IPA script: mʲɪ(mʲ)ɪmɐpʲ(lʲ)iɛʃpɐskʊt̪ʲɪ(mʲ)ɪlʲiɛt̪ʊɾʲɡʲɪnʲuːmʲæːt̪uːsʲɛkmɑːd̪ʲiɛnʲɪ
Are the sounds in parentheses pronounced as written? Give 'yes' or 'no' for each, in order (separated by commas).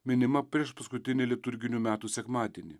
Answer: no, no, no